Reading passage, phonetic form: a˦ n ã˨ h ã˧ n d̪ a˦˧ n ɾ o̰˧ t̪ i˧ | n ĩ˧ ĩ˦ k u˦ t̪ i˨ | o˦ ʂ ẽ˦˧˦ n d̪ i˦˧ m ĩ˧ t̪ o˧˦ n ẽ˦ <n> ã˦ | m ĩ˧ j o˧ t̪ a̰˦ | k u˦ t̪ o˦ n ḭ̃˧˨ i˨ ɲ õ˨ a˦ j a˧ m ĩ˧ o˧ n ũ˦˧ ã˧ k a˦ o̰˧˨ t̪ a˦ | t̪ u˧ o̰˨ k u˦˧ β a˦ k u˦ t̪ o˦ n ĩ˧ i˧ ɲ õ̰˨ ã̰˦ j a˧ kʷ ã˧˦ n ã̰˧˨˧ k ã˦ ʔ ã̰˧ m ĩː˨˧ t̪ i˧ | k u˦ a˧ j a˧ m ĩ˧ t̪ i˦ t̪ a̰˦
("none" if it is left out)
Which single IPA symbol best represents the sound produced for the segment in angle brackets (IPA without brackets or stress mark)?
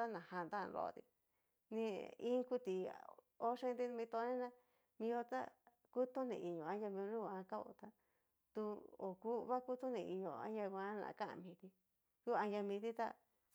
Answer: n